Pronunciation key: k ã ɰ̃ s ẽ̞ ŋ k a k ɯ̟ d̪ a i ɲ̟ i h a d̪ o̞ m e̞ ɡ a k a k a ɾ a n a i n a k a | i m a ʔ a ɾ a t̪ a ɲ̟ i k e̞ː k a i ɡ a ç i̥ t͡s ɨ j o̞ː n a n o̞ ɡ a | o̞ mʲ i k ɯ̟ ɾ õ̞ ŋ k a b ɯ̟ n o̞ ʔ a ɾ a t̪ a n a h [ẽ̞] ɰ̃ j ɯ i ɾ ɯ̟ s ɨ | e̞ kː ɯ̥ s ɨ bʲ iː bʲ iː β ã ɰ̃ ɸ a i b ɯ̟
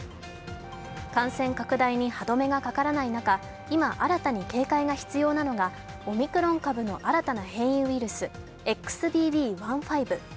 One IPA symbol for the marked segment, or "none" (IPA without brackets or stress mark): ẽ̞